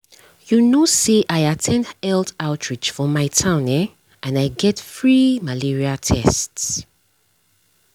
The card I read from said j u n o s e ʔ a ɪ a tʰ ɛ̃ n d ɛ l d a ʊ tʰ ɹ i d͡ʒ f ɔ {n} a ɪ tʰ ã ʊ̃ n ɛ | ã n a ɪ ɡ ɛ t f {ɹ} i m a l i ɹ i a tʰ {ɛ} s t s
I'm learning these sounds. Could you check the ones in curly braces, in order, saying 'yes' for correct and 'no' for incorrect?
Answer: no, yes, yes

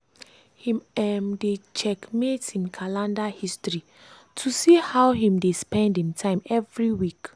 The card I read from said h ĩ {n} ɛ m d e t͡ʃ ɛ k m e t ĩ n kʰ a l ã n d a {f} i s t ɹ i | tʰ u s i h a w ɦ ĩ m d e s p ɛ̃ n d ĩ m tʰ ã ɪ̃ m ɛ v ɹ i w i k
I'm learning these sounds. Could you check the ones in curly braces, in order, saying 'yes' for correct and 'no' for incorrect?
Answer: no, no

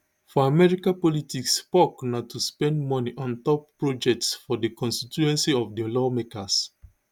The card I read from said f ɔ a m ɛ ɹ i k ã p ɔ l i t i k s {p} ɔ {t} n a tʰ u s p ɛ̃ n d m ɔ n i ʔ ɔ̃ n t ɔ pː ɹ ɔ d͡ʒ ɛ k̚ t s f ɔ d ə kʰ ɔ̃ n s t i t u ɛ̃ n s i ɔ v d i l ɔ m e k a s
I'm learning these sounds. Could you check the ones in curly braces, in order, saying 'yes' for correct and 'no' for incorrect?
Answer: yes, no

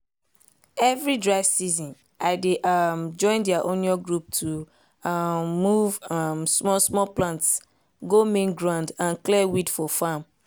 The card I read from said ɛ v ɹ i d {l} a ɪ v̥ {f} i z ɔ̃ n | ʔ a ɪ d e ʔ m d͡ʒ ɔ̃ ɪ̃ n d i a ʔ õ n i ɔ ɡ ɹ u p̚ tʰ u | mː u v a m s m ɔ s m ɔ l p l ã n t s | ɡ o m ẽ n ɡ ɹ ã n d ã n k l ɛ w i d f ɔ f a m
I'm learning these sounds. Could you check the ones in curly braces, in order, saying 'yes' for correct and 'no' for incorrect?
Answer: no, no

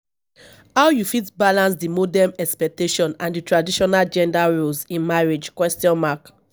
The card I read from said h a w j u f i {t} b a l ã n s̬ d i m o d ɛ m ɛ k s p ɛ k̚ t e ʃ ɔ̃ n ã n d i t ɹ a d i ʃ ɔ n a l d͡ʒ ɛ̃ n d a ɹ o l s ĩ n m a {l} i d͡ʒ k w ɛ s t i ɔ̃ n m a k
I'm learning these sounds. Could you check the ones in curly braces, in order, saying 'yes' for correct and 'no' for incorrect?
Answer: yes, no

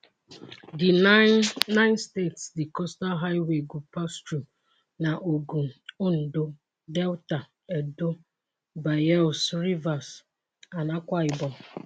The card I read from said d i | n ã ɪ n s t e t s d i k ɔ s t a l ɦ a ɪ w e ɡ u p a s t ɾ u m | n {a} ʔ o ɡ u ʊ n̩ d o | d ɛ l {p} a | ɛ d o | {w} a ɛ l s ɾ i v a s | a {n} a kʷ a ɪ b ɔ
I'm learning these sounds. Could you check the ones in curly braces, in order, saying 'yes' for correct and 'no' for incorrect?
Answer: yes, no, no, yes

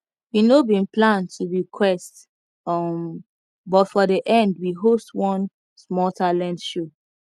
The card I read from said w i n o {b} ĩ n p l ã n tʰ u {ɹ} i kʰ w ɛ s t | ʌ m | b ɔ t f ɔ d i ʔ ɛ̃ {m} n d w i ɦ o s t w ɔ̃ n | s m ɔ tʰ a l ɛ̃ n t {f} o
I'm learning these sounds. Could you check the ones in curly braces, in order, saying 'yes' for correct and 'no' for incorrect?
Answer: yes, yes, no, no

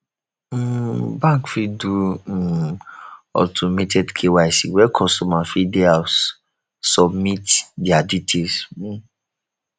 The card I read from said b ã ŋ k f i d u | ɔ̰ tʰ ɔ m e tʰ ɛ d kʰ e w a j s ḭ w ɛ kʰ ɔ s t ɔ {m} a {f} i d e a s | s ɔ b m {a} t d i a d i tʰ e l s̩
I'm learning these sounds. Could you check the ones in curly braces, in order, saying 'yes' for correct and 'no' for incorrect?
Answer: yes, yes, no

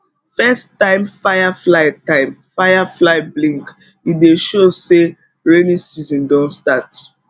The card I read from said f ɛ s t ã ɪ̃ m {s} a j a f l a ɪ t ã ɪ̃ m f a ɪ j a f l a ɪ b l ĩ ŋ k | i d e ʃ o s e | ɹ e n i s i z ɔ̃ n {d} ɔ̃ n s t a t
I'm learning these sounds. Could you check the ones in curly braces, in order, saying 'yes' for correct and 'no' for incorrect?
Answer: no, yes

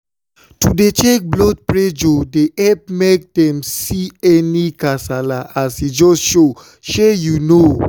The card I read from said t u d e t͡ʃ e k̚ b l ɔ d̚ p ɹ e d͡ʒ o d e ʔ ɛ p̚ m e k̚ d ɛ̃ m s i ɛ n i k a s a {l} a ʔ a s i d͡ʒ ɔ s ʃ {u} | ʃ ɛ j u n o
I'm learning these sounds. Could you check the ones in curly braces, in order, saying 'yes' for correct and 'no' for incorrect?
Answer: yes, no

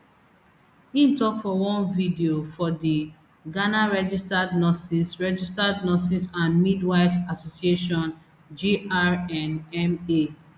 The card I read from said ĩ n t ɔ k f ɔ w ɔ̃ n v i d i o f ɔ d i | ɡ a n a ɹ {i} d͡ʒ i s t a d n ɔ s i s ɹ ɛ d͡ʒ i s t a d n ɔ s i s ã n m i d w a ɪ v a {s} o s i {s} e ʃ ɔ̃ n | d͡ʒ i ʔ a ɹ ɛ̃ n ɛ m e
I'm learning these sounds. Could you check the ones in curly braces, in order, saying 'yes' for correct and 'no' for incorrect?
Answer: no, yes, no

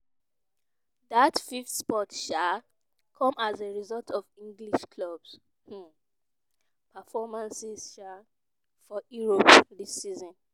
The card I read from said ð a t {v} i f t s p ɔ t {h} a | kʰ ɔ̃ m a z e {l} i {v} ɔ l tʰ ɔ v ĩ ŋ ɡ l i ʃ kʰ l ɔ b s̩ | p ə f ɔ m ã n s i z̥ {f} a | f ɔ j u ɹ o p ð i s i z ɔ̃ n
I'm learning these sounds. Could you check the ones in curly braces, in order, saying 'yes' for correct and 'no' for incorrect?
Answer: no, no, no, no, no

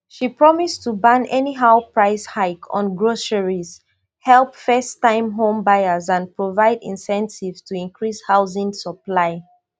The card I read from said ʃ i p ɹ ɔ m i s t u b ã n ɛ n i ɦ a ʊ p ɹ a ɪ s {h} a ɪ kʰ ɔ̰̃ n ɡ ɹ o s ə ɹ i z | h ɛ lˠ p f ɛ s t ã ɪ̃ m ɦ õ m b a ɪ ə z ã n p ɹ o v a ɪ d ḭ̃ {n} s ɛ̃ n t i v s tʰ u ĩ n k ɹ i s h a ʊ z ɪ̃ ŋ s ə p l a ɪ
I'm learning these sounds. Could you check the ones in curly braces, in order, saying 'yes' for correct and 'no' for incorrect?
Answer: yes, yes

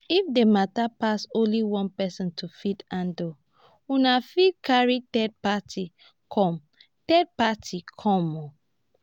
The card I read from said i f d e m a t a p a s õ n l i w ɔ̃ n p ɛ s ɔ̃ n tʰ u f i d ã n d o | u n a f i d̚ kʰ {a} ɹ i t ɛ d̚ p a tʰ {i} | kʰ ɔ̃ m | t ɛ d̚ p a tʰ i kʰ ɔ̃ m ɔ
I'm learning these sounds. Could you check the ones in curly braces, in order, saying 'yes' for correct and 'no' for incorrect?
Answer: yes, yes

